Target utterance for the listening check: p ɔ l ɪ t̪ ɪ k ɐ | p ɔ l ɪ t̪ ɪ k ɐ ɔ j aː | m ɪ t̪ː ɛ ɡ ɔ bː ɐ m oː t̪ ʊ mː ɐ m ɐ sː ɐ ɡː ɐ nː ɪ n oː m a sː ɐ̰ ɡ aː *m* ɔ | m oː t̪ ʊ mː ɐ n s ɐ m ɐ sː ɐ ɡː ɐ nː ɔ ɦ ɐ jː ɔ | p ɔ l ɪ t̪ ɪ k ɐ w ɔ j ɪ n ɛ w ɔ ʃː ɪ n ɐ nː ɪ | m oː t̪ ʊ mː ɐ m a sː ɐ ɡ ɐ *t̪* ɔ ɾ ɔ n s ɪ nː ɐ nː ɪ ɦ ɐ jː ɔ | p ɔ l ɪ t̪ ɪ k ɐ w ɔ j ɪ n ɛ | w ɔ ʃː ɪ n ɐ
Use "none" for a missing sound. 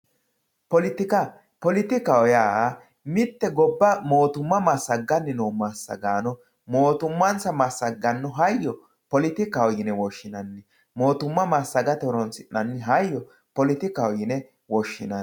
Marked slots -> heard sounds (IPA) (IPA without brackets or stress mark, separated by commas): n, t̪